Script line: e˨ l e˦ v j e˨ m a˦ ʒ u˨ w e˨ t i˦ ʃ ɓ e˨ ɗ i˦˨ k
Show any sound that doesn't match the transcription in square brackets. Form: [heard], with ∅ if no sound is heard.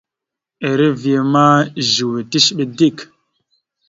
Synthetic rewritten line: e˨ [ɾ] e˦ v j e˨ m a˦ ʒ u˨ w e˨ t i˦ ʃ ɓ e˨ [d] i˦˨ k